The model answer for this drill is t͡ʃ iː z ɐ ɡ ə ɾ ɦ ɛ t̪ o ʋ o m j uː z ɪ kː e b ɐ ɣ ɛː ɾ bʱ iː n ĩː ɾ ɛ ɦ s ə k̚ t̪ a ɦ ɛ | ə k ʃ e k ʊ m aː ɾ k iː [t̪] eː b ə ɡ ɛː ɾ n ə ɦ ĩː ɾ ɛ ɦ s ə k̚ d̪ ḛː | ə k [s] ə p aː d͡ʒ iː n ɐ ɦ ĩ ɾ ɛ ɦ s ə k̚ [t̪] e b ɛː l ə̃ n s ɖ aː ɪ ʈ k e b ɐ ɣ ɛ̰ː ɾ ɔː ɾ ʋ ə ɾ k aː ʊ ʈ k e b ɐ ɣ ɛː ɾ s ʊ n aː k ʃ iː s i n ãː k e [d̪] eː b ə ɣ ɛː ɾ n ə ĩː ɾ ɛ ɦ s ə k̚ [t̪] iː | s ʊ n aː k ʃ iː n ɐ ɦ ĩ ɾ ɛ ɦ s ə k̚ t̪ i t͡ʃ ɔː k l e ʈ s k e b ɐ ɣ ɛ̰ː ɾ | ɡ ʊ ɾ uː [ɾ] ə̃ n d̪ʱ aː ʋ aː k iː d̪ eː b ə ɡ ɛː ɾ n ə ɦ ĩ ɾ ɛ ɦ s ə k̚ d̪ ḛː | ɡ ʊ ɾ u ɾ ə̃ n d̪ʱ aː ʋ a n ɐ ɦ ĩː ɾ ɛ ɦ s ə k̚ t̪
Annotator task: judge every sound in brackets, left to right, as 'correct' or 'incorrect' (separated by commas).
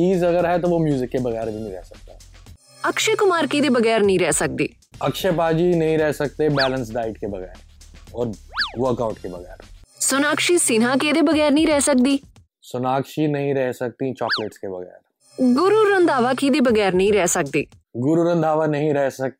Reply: incorrect, incorrect, correct, correct, incorrect, correct